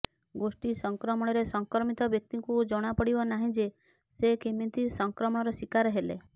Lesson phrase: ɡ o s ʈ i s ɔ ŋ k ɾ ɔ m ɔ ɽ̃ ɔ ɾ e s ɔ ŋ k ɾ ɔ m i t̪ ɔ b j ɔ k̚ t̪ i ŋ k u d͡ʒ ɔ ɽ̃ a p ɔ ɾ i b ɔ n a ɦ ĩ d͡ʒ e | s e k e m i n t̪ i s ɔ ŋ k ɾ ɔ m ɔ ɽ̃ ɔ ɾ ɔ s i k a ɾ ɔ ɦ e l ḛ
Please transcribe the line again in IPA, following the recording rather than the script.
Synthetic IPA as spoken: ɡ o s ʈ i s ɔ ŋ k ɾ ɔ m ɔ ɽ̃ ɔ ɾ e s ɔ ŋ k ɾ ɔ m i t̪ ɔ b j ɔ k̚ t̪ i ŋ k u d͡ʒ ɔ ɽ̃ a p ɔ ɽ i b ɔ n a ɦ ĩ d͡ʒ e | s e k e m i n t̪ i s ɔ ŋ k ɾ ɔ m ɔ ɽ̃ ɔ ɾ ɔ s i k a ɾ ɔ ɦ e l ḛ